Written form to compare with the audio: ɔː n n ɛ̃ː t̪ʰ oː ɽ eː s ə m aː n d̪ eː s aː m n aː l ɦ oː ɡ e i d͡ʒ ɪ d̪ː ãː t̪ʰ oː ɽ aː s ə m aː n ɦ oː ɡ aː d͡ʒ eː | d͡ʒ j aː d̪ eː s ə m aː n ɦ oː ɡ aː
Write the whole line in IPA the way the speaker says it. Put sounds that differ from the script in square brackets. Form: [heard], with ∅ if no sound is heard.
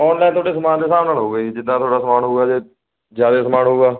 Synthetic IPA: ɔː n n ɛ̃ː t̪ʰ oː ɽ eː s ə m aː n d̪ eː s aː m n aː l ɦ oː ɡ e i d͡ʒ ɪ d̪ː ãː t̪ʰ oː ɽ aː s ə m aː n ɦ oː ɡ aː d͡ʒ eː | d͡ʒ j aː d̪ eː s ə m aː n ɦ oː ɡ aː

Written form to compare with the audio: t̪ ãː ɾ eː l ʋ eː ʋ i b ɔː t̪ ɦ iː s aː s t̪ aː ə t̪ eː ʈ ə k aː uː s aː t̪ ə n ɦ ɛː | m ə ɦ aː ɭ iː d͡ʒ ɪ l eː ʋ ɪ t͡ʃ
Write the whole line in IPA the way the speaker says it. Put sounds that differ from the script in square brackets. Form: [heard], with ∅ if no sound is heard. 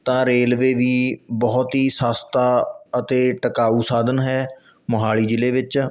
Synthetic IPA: t̪ ãː ɾ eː l ʋ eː ʋ [iː] b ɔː t̪ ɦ iː s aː s t̪ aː ə t̪ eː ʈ ə k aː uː s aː [d̪] ə n ɦ ɛː | m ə ɦ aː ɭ iː d͡ʒ ɪ l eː ʋ ɪ t͡ʃ

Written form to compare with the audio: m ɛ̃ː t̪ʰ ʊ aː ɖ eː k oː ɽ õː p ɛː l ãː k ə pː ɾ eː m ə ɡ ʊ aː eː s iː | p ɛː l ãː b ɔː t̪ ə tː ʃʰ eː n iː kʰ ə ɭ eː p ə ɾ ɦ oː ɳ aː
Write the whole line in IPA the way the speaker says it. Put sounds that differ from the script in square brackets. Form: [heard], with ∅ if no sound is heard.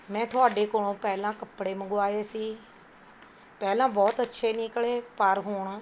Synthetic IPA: m ɛ̃ː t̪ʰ ʊ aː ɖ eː k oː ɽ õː p ɛː l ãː k ə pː [ɽ] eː m ə ɡ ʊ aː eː s iː | p ɛː l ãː b ɔː t̪ ə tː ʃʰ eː n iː [k] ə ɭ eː p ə ɾ ɦ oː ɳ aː

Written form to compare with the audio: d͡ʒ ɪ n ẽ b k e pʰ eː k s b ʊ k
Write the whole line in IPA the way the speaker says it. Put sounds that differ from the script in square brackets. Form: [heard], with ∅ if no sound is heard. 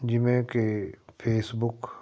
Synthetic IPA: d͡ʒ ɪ [m] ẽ [∅] k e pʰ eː [∅] s b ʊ k

